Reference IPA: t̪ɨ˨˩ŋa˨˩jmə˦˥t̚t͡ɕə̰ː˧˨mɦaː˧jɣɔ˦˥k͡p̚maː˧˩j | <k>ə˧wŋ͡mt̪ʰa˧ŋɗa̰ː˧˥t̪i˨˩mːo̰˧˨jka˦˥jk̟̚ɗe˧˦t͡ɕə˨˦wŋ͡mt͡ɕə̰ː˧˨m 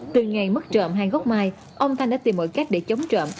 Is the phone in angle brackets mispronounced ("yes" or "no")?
yes